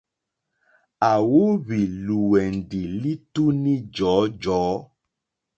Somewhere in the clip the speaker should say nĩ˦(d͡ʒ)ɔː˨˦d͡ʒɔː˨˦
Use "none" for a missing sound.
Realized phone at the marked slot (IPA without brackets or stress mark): d͡ʒ